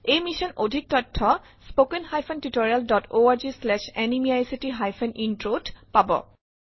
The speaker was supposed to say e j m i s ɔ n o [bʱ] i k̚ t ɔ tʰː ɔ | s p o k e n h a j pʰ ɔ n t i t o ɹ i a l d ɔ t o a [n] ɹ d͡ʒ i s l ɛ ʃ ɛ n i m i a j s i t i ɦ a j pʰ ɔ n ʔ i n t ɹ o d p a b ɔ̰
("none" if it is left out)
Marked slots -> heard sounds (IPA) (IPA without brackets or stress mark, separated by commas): dʱ, none